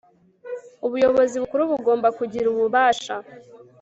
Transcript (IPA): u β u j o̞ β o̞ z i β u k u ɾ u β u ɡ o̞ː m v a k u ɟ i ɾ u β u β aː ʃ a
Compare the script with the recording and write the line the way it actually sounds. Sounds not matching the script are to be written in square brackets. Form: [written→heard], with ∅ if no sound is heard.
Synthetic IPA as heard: u β u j o̞ β o̞ z i β u k u ɾ u β u ɡ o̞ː m [v→b] a k u ɟ i ɾ u β u β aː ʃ a